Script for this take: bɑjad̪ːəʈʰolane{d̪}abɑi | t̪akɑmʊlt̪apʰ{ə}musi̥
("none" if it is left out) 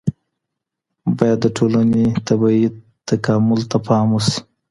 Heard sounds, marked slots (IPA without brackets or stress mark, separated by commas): t̪, ɑ